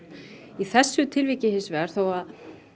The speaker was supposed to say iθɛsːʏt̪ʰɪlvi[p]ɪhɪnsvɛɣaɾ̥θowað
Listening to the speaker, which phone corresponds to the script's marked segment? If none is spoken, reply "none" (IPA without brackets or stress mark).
c